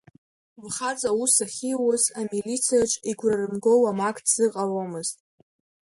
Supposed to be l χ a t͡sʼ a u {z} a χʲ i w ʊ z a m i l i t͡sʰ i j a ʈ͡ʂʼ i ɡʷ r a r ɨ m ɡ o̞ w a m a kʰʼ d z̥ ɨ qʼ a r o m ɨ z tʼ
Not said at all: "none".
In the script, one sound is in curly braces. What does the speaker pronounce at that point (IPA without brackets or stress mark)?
s